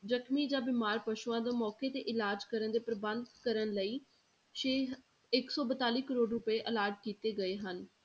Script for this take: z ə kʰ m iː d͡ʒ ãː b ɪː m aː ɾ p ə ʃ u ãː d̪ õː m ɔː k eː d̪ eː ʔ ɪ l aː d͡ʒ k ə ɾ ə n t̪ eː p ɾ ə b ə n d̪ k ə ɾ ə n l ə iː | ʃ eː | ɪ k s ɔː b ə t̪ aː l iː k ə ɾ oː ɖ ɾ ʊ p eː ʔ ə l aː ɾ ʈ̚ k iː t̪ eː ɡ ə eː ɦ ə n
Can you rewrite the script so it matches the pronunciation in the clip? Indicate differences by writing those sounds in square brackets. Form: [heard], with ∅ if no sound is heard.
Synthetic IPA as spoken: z ə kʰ m iː d͡ʒ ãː b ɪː m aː ɾ p ə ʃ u ãː d̪ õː m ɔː k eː [t̪] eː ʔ ɪ l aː d͡ʒ k ə ɾ ə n [d̪] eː p ɾ ə b ə n d̪ k ə ɾ ə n l ə iː | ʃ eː | ɪ k s ɔː b ə t̪ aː l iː k ə ɾ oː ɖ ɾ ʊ p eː ʔ ə l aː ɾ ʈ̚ k iː t̪ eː ɡ ə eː ɦ ə n